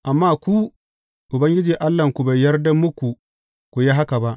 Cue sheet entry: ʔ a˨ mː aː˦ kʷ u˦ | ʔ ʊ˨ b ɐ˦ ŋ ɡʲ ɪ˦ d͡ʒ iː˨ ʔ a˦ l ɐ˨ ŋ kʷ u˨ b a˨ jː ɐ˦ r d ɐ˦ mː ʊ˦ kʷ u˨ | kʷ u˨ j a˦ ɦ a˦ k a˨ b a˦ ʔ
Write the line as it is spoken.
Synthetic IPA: ʔ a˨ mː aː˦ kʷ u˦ | ʔ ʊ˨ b ɐ˦ ŋ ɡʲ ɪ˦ d͡ʒ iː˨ ʔ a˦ lː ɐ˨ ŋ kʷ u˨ b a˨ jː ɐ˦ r d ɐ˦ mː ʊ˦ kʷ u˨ | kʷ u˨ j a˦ ɦ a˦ k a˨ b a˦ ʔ

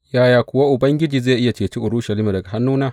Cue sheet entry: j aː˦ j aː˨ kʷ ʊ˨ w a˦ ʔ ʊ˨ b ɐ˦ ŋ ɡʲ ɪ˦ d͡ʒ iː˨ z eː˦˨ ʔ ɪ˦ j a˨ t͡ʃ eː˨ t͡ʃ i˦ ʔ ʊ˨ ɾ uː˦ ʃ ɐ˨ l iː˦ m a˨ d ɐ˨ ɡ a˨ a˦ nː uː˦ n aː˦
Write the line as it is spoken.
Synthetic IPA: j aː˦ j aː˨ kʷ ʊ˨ w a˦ ʔ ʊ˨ b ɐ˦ ŋ ɡʲ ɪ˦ d͡ʒ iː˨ z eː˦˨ ʔ ɪ˦ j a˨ t͡ʃ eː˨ t͡ʃ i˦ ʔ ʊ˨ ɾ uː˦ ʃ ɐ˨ l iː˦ m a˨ d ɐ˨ ɡ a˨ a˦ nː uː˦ n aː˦

